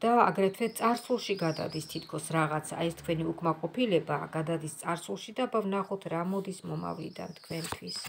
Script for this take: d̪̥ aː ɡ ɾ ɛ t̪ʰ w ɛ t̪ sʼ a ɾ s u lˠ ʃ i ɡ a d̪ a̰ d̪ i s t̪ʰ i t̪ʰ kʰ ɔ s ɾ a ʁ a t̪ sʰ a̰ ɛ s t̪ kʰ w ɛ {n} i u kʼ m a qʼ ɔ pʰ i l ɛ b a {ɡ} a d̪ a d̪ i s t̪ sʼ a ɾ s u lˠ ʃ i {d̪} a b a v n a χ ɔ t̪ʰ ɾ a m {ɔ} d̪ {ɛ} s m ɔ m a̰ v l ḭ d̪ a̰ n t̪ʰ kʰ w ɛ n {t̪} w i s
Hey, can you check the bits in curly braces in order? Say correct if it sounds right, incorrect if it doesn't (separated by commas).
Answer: correct, correct, correct, correct, incorrect, incorrect